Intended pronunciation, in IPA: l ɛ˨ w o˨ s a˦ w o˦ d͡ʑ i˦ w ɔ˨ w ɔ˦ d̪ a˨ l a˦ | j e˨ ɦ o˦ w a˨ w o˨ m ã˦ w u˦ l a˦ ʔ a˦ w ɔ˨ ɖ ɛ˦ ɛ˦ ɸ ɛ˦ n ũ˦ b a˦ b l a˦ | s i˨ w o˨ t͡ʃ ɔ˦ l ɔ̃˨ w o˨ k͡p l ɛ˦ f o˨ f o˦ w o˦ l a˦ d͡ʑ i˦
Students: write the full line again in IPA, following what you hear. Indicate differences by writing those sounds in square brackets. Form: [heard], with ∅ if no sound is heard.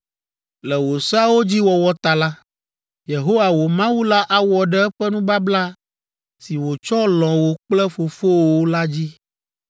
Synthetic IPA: l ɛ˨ w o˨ s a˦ w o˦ d͡ʑ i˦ w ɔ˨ w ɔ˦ [t̪] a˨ l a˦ | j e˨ ɦ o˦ w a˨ w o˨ m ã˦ w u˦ l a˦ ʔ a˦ w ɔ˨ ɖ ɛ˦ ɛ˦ ɸ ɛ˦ n ũ˦ b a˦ b l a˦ | s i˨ w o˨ t͡ʃ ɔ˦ l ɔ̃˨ w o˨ k͡p l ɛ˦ f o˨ f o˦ w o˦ l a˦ d͡ʑ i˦

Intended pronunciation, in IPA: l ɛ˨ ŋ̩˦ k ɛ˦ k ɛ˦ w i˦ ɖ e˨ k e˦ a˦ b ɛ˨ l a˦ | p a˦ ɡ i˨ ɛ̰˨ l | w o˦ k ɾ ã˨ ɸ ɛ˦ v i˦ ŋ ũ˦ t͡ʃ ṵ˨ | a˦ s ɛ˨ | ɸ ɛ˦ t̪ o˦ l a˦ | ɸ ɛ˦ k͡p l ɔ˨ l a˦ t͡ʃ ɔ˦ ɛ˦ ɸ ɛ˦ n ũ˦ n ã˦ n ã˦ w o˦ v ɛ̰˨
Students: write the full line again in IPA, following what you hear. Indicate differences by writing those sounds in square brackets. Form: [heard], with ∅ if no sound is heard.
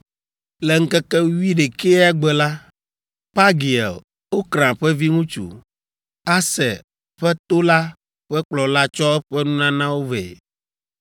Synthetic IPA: l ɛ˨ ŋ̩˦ k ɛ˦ k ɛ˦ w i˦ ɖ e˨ k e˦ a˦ [ɡ͡b] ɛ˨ l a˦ | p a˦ ɡ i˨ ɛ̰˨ l | w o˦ k ɾ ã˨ ɸ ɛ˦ v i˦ ŋ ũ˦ t͡ʃ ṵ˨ | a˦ s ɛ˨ | ɸ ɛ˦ t̪ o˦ l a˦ | ɸ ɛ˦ k͡p l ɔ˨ l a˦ t͡ʃ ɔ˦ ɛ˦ ɸ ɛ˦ n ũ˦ n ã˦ n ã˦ w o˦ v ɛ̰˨

